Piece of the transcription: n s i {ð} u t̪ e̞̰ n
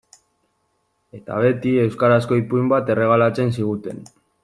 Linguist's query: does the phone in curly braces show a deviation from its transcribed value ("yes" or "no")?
yes